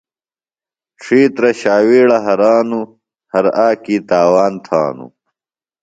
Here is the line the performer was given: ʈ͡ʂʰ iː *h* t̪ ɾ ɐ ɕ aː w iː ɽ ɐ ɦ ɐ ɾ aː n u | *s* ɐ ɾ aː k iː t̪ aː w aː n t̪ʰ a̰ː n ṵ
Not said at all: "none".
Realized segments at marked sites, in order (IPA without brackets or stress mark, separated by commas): none, h